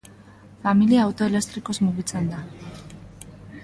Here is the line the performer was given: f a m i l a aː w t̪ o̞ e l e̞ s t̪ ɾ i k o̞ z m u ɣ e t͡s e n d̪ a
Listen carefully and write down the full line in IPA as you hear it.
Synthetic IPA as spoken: f a m i l i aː w t̪ o̞ e l e̞ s t̪ ɾ i k o̞ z m u ɣ i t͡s e n d̪ a